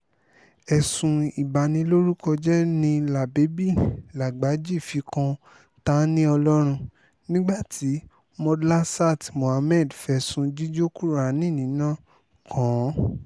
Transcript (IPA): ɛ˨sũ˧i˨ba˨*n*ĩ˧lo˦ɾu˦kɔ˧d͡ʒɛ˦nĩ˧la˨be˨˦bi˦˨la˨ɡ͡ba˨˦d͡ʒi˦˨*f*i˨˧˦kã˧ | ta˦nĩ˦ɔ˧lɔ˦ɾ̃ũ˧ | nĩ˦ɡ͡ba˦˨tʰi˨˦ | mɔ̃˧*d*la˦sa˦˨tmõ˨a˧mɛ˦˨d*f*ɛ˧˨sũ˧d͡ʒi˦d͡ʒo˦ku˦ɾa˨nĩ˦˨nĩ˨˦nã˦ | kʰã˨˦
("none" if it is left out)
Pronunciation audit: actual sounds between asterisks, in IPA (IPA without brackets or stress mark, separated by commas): n, f, d, f